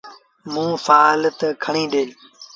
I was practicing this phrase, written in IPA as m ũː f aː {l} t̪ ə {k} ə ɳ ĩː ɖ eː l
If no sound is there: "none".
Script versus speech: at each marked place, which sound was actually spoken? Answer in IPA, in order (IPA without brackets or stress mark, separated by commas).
l, kʰ